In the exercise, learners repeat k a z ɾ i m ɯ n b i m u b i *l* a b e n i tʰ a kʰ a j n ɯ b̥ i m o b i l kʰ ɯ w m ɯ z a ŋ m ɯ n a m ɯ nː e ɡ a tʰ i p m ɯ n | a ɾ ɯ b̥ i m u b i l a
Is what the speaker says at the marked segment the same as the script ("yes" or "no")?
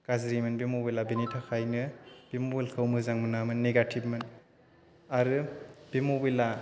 yes